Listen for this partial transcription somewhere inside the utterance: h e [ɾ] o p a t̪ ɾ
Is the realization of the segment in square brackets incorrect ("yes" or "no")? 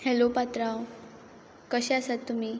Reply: yes